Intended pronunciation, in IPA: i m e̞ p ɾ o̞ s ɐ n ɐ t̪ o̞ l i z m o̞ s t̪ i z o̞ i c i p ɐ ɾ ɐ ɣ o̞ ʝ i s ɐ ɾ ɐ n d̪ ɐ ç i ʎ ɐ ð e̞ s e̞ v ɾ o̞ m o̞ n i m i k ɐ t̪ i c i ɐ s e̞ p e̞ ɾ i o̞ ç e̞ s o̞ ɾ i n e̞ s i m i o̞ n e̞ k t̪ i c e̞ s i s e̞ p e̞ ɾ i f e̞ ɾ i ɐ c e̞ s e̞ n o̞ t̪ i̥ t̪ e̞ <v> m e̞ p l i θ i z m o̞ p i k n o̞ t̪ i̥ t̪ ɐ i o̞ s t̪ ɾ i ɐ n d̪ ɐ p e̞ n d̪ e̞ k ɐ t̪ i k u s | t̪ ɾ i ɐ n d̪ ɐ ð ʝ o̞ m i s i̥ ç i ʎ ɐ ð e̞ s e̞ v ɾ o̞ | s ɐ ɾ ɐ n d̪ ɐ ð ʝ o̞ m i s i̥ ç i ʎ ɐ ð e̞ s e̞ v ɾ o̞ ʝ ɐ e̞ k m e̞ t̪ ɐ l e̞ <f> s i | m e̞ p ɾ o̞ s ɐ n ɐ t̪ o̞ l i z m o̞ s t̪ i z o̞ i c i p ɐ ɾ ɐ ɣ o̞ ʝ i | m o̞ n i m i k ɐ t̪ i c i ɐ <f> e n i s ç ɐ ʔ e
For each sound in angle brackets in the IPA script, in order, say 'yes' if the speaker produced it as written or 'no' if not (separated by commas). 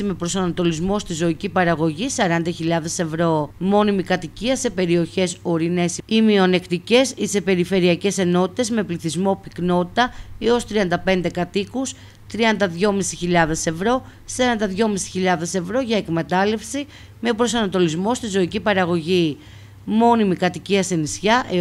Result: no, yes, no